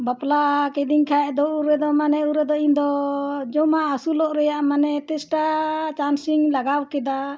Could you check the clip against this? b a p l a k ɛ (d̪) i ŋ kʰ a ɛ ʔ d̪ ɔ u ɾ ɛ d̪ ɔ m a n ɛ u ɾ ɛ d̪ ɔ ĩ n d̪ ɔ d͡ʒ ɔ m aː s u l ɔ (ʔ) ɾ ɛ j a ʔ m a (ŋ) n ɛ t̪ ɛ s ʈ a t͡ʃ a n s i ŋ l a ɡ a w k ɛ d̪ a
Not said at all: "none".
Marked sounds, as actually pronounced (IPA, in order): d̪, ʔ, none

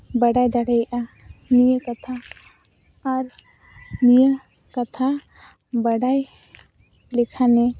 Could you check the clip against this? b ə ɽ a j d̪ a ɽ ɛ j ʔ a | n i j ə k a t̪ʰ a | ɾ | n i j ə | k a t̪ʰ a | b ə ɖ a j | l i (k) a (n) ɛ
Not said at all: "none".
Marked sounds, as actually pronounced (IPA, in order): kʰ, n

